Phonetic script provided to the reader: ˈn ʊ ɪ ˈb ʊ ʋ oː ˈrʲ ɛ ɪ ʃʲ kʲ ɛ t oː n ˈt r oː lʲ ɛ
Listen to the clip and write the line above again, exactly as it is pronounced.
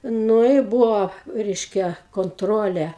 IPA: ˈn ʊ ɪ ˈb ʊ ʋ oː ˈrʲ ɛ ɪ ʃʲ kʲ ɛ k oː n ˈt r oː lʲ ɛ